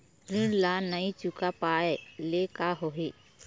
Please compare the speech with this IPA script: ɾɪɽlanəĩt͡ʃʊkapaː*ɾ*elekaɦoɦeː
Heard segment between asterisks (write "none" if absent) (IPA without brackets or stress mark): none